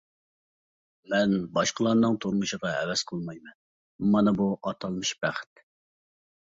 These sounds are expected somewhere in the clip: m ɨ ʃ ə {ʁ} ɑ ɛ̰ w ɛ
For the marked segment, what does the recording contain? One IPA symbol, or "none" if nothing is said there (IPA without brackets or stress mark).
ʁ